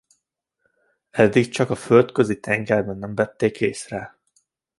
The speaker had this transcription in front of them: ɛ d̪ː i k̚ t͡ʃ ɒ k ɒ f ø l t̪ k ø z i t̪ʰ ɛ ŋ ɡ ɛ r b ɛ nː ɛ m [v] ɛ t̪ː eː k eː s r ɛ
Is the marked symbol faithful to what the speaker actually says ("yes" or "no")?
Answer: yes